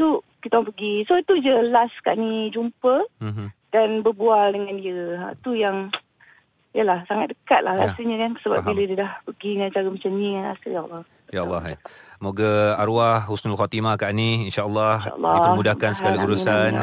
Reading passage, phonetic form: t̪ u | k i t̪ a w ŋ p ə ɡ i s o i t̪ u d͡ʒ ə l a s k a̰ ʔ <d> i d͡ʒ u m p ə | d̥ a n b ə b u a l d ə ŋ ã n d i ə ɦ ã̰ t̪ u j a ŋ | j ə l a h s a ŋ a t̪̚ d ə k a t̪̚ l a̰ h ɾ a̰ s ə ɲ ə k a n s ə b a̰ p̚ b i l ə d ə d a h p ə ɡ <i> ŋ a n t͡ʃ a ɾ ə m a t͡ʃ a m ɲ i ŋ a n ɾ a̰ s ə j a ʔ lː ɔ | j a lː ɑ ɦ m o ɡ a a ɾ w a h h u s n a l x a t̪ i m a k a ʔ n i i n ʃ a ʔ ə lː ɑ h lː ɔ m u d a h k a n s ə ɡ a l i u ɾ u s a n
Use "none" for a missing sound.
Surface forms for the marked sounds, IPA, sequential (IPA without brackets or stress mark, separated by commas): n, i